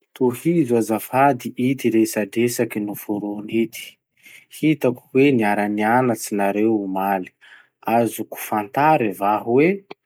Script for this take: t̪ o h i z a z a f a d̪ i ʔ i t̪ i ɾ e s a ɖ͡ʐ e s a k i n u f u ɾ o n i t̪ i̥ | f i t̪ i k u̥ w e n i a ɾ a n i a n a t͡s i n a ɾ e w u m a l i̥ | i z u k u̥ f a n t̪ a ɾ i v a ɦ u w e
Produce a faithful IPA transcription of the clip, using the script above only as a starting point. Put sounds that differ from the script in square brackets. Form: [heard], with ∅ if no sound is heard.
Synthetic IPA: t̪ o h i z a z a f a d̪ i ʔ i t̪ i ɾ e s a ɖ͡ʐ e s a k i n u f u ɾ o n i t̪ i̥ | [h] i t̪ [a] k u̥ w e n i a ɾ a n i a n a t͡s i n a ɾ e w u m a l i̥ | [a] z u k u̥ f a n t̪ a ɾ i v a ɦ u w e